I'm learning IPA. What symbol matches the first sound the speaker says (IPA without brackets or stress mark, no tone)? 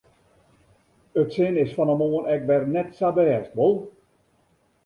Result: ə